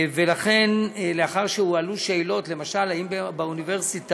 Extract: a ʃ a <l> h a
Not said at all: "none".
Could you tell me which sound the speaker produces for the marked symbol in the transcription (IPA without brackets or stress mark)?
l